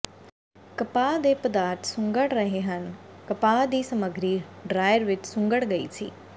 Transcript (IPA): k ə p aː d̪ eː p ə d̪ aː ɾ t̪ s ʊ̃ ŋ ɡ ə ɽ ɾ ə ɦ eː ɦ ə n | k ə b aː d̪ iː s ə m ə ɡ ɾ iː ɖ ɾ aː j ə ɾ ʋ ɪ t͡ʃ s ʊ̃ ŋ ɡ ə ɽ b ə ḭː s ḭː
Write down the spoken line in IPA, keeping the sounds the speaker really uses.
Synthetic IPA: k ə p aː d̪ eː p ə d̪ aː ɾ t̪ s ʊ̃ ŋ ɡ ə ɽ ɾ ə ɦ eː ɦ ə n | k ə p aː d̪ iː s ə m ə ɡ ɾ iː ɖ ɾ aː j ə ɾ ʋ ɪ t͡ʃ s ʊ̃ ŋ ɡ ə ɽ ɡ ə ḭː s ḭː